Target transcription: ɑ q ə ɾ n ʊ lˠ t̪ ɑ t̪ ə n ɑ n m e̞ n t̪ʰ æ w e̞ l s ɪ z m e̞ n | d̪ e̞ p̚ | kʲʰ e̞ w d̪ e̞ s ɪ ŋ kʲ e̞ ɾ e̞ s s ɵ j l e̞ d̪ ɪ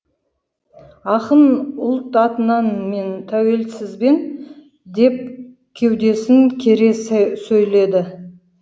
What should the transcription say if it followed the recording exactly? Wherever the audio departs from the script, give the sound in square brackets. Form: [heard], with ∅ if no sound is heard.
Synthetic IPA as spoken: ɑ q ə [∅] n ʊ lˠ t̪ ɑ t̪ ə n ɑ n m e̞ n t̪ʰ æ w e̞ l s ɪ z [b] e̞ n | d̪ e̞ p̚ | kʲʰ e̞ w d̪ e̞ s ɪ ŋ [kʲʰ] e̞ ɾ e̞ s s ɵ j l e̞ d̪ ɪ